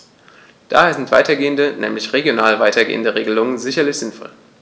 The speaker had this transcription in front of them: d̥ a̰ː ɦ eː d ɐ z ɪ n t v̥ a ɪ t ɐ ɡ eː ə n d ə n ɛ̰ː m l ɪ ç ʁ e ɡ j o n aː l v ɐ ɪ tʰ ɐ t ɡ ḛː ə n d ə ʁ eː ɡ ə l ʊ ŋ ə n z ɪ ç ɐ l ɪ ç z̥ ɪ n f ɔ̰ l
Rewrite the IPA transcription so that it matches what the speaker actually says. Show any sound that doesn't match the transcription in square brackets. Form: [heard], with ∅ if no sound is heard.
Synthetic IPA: d̥ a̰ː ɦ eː [∅] ɐ z ɪ n t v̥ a ɪ t ɐ ɡ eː ə n d ə n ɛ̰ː m l ɪ ç ʁ e ɡ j o n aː l v [a] ɪ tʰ ɐ [∅] ɡ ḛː ə n d ə ʁ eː ɡ ə l ʊ ŋ ə n z ɪ ç ɐ l ɪ ç z̥ ɪ n f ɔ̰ l